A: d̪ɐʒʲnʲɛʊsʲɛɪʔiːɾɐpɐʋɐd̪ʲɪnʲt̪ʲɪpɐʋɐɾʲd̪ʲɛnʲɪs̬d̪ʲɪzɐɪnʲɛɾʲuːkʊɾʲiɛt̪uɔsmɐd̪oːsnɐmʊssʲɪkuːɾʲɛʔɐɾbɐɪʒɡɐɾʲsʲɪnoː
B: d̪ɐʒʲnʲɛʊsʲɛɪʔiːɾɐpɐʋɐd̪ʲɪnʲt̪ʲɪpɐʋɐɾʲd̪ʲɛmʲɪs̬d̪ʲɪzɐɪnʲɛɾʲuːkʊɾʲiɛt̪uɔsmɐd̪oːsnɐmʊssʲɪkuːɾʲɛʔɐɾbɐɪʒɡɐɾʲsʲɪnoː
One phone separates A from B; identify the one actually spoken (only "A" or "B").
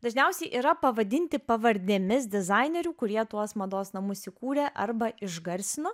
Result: B